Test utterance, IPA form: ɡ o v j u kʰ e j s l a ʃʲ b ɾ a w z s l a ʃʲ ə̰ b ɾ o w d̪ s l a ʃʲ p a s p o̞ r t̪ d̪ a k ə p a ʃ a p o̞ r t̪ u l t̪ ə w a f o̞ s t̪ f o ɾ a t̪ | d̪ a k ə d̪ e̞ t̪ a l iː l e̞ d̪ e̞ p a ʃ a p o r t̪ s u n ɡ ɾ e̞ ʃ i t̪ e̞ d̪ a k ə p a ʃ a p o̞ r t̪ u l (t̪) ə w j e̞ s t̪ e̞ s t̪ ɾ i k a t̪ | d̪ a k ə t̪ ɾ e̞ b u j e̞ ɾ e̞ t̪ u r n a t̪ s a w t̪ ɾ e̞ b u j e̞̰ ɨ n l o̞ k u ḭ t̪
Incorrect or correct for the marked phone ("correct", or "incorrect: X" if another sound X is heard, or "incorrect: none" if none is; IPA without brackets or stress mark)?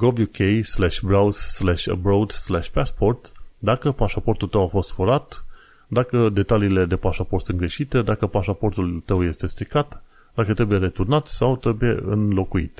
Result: correct